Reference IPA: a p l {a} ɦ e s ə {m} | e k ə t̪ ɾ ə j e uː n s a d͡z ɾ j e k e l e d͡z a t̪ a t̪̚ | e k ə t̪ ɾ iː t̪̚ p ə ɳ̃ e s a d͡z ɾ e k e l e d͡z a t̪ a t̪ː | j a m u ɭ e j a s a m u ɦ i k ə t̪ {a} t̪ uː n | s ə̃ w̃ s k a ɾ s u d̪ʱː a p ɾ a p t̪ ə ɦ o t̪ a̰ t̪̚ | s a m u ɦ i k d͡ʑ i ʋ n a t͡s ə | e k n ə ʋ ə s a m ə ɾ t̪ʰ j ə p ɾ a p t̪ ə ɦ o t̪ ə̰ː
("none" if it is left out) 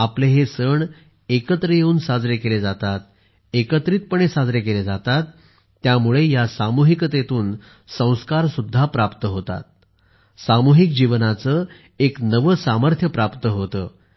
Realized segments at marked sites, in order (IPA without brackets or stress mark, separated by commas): e, ɳ, e